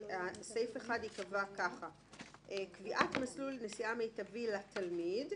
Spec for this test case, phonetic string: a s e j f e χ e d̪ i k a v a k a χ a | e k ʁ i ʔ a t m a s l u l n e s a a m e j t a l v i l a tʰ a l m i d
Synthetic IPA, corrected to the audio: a s e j f e χ a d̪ i k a v a k a χ a | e k v i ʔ a t m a s l u l n e s i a m e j t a v i l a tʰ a l m i d